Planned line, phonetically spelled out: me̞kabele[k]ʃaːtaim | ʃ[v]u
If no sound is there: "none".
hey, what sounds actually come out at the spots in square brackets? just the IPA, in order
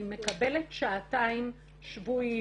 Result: t, v

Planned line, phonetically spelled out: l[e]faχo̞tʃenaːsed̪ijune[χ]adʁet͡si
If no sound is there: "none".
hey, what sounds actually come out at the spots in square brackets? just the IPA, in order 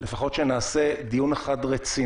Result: e, χ

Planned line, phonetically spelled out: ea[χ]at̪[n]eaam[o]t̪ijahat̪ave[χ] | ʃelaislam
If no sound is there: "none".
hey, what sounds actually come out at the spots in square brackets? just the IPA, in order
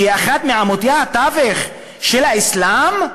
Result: χ, m, o, χ

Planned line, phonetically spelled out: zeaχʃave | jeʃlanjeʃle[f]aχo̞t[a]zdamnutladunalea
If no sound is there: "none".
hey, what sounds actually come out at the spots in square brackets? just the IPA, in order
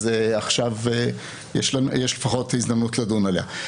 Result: f, i

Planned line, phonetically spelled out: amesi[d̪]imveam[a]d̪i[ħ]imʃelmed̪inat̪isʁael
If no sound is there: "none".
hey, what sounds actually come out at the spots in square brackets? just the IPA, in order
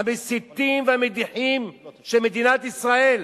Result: t̪, e, ħ

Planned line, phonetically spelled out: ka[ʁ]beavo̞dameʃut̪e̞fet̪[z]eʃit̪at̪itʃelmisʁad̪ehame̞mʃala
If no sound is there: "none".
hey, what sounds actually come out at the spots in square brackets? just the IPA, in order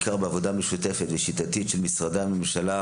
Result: ʁ, v

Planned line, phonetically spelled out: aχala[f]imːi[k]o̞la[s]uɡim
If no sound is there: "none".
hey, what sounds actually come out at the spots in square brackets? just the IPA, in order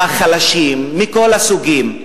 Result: ʃ, k, s

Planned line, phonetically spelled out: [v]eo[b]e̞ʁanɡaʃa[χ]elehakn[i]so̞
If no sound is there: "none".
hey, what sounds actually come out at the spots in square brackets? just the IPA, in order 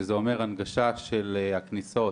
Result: z, m, ʃ, i

